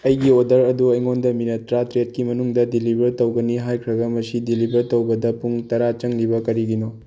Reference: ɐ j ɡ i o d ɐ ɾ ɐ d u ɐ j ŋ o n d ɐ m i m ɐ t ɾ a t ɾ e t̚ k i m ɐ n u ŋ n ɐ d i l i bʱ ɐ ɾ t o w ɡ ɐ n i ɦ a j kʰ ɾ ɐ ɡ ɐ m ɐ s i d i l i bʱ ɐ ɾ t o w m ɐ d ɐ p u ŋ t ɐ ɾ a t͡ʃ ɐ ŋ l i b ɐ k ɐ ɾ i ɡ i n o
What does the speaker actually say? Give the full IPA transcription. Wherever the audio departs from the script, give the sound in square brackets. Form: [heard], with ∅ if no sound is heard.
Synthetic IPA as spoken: ɐ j ɡ i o d ɐ ɾ ɐ d u ɐ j ŋ o n d ɐ m i [n] ɐ t ɾ a t ɾ e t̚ k i m ɐ n u ŋ [d] ɐ d i l i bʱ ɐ ɾ t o w ɡ ɐ n i ɦ a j kʰ ɾ ɐ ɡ ɐ m ɐ s i d i l i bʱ ɐ ɾ t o w [b] ɐ d ɐ p u ŋ t ɐ ɾ a t͡ʃ ɐ ŋ l i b ɐ k ɐ ɾ i ɡ i n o